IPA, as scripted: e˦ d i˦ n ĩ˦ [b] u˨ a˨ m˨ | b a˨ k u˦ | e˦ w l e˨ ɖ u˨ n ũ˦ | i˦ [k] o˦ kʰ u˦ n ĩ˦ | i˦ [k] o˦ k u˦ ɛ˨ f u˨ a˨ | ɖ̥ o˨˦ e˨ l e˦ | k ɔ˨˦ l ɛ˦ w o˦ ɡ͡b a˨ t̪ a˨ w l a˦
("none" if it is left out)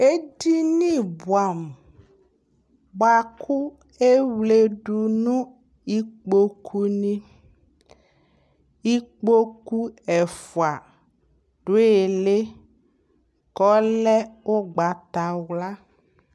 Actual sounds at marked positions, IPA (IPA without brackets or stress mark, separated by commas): b, k͡p, k͡p